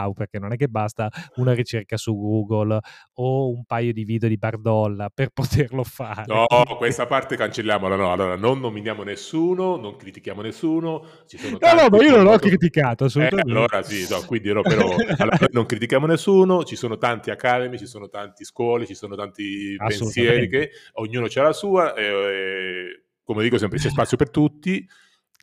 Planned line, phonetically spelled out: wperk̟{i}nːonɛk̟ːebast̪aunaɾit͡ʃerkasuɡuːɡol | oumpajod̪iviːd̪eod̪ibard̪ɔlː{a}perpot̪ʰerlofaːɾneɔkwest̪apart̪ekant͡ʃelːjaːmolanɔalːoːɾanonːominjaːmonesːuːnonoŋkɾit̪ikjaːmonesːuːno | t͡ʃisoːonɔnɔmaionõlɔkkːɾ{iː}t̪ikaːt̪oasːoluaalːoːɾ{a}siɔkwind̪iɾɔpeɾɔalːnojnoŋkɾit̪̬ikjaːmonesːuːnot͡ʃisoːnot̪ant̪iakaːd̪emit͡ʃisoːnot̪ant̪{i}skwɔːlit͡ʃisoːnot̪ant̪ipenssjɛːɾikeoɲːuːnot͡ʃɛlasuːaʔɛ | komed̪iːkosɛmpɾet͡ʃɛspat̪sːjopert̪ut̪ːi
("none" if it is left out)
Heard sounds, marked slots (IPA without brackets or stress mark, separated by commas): e, a, i, a, i